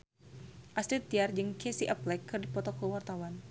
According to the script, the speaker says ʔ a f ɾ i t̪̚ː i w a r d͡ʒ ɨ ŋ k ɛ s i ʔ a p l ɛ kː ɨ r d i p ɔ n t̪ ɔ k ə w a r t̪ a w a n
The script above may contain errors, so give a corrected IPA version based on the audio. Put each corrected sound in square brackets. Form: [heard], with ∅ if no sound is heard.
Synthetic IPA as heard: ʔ a [s] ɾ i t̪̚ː i [∅] a r d͡ʒ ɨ ŋ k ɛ s i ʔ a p l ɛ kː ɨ r d i p ɔ [∅] t̪ ɔ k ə w a r t̪ a w a n